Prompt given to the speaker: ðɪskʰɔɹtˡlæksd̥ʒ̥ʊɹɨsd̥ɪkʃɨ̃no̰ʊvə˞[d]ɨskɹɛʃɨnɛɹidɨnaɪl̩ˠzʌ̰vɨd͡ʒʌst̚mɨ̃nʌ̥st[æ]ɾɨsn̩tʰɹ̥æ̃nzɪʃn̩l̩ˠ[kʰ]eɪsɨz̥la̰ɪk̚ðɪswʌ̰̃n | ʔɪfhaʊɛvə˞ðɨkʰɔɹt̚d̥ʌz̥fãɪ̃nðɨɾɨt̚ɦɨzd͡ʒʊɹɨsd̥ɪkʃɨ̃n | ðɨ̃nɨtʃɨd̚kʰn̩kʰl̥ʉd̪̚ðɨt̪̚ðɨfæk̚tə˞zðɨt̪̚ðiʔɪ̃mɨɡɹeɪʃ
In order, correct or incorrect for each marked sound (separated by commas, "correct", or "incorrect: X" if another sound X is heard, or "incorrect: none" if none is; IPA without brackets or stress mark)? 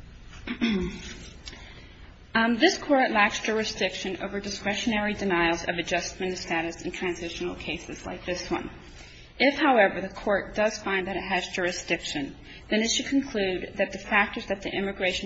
correct, correct, correct